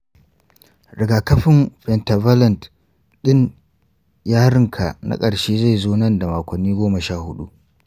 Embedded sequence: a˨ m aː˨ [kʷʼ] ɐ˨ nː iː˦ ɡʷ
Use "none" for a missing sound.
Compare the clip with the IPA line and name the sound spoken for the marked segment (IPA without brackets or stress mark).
kʷ